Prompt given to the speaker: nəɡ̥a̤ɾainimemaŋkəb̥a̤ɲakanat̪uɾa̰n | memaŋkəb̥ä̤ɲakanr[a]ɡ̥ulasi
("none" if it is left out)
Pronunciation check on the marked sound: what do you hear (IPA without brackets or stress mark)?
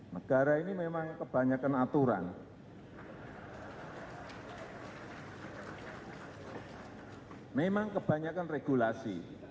e